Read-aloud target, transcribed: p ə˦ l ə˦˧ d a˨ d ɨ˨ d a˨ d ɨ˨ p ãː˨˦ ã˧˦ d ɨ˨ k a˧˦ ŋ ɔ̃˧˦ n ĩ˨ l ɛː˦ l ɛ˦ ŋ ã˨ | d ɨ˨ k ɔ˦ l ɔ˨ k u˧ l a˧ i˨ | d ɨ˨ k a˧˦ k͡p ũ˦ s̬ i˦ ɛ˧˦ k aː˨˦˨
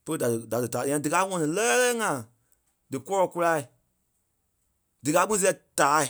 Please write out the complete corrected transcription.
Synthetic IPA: p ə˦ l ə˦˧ d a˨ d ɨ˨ d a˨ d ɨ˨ t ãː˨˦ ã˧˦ d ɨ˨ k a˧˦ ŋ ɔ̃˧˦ n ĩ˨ l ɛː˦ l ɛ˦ ŋ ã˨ | d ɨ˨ k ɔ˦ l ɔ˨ k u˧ l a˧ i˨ | d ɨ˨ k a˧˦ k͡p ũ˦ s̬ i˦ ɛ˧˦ t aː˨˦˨